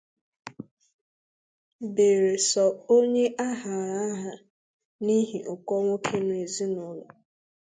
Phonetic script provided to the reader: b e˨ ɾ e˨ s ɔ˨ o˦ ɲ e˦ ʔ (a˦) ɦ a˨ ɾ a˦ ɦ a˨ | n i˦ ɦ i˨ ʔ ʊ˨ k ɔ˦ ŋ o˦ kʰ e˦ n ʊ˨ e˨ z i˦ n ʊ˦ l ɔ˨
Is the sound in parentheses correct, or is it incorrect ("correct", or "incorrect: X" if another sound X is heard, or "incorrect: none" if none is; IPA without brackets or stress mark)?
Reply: correct